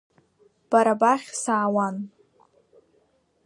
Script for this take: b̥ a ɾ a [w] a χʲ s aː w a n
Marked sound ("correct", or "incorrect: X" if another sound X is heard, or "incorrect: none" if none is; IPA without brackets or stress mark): incorrect: b